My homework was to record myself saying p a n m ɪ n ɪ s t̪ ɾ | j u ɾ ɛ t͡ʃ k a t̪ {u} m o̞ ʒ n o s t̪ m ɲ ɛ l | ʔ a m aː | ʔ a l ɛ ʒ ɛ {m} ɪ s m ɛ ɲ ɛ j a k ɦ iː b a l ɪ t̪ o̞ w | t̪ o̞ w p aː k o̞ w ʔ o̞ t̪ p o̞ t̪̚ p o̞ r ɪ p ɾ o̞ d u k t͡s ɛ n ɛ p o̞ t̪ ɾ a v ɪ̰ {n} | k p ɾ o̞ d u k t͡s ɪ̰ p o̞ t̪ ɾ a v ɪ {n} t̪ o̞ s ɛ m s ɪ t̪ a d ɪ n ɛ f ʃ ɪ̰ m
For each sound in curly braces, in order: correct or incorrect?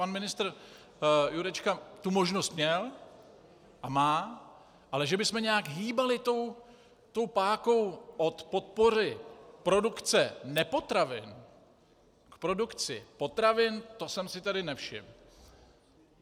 correct, incorrect: b, correct, correct

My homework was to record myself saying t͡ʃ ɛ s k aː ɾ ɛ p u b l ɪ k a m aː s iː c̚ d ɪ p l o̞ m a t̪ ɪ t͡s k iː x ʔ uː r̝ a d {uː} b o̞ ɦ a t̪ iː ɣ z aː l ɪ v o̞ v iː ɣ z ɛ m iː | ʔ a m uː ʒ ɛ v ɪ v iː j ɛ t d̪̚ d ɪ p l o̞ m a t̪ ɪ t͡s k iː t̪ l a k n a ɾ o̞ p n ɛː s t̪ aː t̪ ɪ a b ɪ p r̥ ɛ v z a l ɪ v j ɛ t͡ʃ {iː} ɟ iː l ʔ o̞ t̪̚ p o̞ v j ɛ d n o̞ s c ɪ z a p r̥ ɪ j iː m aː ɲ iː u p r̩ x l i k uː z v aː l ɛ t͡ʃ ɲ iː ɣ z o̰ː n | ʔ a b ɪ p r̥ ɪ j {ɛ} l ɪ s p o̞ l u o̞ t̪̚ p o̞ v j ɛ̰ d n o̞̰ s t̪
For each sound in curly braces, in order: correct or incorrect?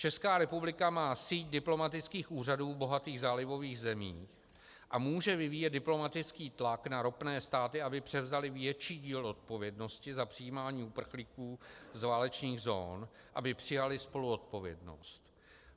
correct, correct, incorrect: a

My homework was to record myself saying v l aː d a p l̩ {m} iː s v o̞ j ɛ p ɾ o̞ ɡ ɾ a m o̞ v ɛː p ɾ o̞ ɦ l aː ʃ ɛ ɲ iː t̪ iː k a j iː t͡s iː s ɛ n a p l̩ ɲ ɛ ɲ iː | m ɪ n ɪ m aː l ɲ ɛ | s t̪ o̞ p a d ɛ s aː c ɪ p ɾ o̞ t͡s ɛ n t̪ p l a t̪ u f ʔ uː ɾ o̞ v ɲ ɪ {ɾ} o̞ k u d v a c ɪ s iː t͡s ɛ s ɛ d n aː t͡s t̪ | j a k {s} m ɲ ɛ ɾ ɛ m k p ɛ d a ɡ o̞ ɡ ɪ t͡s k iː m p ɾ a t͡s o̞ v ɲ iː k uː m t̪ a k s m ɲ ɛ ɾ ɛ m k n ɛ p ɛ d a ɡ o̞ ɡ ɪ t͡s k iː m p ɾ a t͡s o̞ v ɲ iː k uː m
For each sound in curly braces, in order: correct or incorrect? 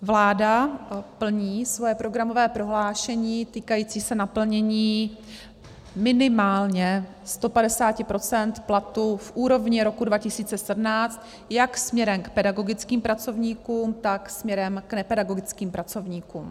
incorrect: ɲ, correct, correct

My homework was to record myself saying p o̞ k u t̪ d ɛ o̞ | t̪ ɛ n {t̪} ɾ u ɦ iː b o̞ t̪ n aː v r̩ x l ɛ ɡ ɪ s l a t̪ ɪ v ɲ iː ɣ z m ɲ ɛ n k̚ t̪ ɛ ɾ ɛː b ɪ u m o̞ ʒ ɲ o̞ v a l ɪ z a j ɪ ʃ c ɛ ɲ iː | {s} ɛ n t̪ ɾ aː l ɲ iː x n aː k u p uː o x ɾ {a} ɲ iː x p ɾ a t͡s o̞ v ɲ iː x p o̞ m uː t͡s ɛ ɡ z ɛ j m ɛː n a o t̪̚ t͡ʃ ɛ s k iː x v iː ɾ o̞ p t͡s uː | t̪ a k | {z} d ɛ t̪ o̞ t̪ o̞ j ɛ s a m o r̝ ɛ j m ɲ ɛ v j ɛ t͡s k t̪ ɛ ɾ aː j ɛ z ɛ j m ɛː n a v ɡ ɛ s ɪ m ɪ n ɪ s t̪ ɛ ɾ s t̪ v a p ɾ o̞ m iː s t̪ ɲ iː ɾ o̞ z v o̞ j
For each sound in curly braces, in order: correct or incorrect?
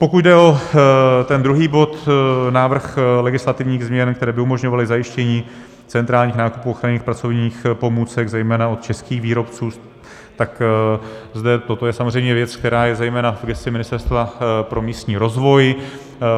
incorrect: d̪, incorrect: t͡s, correct, correct

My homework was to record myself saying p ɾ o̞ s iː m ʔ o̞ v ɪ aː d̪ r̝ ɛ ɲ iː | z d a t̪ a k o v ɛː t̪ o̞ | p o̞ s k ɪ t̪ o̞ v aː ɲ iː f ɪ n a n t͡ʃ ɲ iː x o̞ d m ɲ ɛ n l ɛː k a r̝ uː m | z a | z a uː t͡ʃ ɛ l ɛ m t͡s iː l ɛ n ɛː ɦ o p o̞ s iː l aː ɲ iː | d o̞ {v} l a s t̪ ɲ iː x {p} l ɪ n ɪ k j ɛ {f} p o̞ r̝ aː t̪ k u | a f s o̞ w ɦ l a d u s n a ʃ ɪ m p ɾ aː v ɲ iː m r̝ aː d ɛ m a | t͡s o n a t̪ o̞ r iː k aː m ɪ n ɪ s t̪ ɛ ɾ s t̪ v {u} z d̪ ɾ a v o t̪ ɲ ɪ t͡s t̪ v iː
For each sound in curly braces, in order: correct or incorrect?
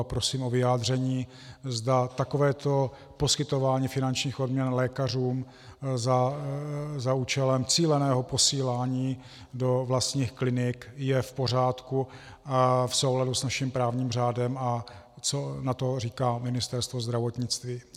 correct, incorrect: k, correct, incorrect: o

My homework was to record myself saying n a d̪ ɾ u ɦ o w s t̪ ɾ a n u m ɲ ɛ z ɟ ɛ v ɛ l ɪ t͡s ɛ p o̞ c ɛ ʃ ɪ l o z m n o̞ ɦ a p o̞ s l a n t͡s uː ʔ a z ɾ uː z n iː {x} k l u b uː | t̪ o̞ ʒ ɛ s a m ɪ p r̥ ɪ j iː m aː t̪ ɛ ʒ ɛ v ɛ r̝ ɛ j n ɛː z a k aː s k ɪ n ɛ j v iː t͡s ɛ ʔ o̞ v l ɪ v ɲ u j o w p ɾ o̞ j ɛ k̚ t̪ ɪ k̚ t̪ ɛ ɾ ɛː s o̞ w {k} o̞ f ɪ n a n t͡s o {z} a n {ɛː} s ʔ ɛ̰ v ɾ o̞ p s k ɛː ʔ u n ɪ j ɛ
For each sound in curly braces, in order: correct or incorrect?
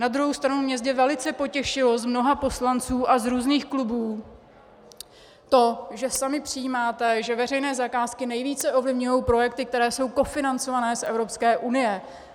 correct, correct, incorrect: v, correct

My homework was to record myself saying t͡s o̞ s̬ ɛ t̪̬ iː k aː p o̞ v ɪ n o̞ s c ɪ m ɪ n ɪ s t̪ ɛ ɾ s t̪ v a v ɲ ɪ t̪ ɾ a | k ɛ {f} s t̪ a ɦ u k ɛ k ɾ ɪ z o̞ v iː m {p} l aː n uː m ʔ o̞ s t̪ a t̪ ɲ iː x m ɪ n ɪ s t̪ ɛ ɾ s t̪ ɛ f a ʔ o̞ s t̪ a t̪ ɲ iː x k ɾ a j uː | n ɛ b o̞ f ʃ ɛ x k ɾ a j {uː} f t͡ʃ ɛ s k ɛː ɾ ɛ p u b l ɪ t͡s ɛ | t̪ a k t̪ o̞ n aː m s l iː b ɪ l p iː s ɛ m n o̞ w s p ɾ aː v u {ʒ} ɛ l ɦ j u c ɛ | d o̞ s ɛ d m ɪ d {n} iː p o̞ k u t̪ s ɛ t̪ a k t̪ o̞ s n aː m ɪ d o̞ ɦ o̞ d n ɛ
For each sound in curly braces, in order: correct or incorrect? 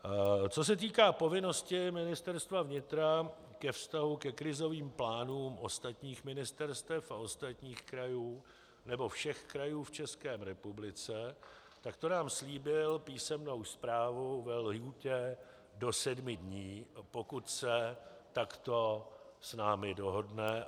correct, correct, correct, incorrect: v, incorrect: ɲ

